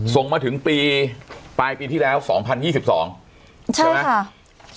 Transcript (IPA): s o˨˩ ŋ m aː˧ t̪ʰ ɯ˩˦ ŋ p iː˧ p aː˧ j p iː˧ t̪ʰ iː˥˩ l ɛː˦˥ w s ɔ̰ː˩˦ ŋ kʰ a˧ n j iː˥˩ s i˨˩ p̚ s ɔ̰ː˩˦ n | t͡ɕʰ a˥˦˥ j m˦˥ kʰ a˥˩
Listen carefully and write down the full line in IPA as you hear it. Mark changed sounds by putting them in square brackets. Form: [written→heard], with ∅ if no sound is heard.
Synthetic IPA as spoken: s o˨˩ ŋ m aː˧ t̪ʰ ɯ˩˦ ŋ p iː˧ p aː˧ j p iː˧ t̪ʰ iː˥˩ l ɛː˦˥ w s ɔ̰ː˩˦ ŋ [kʰ→pʰ] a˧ n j iː˥˩ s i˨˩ p̚ s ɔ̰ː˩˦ [n→ŋ] | t͡ɕʰ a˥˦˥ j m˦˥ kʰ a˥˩